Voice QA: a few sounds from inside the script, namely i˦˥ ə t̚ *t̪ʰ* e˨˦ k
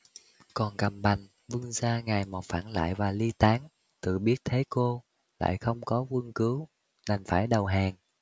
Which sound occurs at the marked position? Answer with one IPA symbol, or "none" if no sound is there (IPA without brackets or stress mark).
t̪ʰ